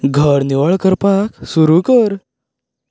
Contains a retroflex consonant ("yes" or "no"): yes